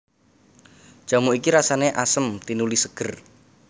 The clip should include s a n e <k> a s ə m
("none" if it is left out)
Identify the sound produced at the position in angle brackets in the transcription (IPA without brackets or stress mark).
ʔ